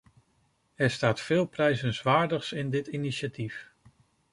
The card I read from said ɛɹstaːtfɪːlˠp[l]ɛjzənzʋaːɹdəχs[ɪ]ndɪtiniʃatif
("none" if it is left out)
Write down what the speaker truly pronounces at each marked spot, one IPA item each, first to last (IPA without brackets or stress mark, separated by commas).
r, ɪ